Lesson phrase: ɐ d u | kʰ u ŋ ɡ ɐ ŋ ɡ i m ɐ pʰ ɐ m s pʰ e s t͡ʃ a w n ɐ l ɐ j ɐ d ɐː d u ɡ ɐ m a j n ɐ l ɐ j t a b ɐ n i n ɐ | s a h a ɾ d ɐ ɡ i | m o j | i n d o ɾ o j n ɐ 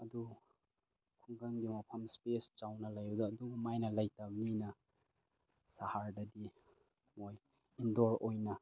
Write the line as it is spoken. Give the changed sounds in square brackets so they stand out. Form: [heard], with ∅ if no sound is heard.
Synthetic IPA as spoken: ɐ d u | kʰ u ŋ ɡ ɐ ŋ ɡ i m ɐ pʰ ɐ m s [p] e s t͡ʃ a w n ɐ l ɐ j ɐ d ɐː d u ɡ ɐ m a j n ɐ l ɐ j t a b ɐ n i n ɐ | s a h a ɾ d ɐ [d] i | m o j | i n d o ɾ o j n ɐ